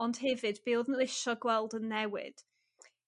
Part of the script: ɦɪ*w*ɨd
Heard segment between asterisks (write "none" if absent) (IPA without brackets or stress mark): v